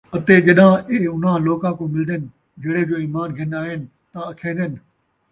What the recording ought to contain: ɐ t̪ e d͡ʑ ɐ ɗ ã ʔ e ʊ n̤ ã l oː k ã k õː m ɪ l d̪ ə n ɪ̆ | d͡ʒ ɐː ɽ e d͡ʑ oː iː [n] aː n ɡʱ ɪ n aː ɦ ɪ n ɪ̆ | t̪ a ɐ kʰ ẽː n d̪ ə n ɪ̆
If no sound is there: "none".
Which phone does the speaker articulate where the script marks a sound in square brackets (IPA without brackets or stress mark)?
m